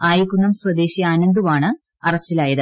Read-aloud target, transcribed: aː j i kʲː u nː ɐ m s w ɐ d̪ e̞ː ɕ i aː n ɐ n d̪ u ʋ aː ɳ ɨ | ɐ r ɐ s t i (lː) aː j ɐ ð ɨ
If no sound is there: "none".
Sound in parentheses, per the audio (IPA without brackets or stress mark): l